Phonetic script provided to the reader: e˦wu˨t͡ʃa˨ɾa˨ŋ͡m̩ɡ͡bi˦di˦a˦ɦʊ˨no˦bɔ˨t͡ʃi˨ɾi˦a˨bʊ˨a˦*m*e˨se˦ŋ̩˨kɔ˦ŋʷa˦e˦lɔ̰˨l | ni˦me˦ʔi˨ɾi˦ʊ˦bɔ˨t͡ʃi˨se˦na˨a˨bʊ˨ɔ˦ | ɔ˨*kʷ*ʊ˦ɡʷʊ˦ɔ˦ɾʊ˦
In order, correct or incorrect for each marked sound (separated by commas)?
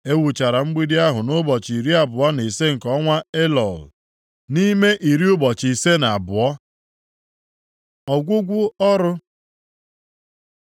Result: incorrect, incorrect